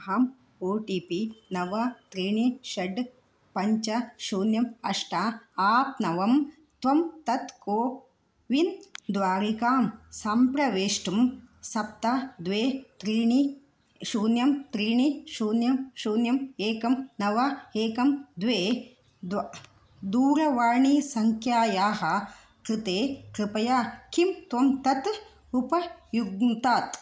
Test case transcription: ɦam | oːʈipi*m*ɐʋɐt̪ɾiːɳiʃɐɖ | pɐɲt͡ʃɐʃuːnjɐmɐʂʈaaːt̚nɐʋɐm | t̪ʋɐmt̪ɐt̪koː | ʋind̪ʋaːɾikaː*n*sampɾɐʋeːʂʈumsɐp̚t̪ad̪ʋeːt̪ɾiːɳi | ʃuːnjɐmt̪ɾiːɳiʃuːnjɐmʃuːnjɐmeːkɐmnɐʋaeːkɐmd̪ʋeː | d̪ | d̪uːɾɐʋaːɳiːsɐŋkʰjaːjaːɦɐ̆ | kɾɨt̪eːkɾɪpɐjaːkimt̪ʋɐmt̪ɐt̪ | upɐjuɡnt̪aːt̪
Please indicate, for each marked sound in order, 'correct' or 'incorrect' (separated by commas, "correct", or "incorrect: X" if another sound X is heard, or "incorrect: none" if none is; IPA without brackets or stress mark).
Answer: incorrect: n, incorrect: m